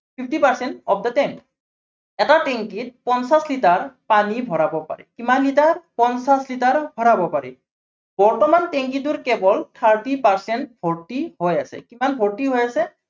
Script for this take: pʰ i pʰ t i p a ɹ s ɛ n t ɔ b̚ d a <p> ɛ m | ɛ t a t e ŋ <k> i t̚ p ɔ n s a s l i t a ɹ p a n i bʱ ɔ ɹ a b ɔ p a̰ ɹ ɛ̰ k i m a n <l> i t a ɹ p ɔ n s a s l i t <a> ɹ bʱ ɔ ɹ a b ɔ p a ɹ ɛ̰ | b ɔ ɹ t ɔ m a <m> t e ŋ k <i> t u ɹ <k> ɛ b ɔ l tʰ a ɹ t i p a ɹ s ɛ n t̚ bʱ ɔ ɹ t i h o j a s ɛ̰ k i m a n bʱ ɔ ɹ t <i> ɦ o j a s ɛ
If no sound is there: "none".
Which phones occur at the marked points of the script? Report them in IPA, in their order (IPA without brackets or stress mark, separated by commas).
t, k, l, a, n, i, k, i